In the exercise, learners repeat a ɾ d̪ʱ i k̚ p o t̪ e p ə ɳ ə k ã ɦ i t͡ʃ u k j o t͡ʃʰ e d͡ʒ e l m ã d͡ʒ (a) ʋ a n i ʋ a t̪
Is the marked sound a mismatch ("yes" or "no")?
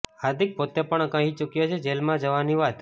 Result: yes